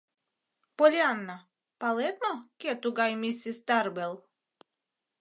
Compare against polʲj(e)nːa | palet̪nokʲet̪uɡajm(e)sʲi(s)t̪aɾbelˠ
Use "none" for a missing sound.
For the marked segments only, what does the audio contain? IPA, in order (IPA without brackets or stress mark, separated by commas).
a, i, s